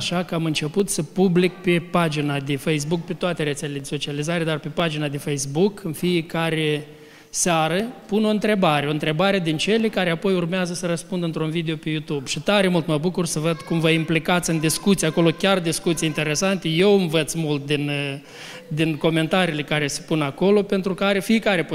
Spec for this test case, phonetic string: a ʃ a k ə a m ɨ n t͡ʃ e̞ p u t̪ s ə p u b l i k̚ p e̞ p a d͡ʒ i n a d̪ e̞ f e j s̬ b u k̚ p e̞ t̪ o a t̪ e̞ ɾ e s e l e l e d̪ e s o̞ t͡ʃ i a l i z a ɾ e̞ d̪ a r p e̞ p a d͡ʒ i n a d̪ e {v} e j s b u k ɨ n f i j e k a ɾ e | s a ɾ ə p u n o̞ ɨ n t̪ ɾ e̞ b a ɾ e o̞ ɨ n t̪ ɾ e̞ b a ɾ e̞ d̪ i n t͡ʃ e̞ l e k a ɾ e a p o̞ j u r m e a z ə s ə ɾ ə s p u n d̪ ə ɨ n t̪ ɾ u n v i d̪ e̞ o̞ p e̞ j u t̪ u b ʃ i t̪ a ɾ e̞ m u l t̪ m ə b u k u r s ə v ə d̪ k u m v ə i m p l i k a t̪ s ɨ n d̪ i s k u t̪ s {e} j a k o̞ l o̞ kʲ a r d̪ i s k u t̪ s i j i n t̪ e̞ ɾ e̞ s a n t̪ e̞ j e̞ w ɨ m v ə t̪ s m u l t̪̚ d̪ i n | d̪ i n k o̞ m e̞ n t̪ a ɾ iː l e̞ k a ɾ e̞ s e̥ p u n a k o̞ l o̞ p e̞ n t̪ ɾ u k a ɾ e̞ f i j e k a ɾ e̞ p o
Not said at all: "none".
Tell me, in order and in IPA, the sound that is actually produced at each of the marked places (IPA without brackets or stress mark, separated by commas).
f, i